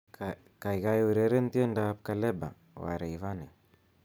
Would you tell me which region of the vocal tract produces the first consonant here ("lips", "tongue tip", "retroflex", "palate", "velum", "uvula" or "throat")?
velum